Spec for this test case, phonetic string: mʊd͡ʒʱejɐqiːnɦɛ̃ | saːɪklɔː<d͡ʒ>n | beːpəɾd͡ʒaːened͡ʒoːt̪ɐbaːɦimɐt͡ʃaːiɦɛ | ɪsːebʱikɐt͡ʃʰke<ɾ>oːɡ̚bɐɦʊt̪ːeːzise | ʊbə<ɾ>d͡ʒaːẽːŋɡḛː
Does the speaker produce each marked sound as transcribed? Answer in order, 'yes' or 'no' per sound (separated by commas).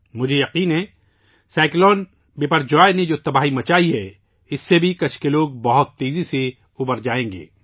no, no, yes